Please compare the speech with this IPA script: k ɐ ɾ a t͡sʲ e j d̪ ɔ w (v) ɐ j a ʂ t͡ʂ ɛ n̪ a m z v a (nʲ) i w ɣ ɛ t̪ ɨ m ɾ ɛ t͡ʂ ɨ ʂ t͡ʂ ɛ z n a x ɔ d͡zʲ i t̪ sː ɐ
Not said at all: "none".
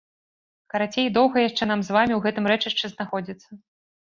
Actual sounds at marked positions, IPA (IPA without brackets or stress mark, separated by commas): ɣ, mʲ